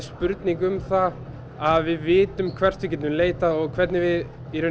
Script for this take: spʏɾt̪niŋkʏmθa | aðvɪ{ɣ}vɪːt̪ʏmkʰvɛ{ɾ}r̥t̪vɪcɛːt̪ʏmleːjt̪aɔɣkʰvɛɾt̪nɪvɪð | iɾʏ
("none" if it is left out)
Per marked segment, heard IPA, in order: ð, none

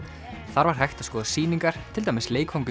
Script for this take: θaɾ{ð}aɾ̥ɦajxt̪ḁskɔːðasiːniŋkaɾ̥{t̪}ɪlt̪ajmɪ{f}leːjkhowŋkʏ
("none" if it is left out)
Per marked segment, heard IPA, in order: v, t̪ʰ, s

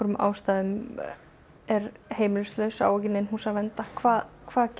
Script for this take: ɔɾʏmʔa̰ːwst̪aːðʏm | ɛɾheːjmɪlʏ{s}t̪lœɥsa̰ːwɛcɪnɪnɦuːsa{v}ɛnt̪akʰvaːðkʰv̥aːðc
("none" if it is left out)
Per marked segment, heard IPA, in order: s, v

